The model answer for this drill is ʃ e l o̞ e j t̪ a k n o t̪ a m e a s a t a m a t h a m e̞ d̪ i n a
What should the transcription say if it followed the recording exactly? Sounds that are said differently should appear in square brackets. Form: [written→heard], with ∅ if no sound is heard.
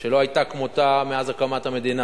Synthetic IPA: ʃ e l o̞ [e→a] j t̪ a k [n→m] o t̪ a m e a [s→z] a [t→k] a m a t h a m e̞ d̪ i n a